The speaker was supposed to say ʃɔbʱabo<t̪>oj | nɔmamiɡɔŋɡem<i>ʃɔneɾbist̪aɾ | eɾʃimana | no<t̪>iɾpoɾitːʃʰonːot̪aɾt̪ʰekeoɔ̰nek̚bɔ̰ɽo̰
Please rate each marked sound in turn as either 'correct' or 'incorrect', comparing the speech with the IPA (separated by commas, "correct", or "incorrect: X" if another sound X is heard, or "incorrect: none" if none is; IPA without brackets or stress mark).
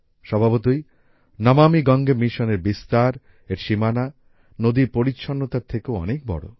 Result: correct, correct, incorrect: d̪